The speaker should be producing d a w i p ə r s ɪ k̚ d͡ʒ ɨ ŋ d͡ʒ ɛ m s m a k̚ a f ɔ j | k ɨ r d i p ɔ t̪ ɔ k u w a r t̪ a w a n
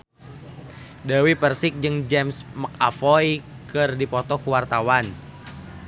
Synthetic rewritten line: d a w i p ə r s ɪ k̚ d͡ʒ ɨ ŋ d͡ʒ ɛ m s m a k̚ a f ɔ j | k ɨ r d i p ɔ t̪ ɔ k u w a r t̪ a w a n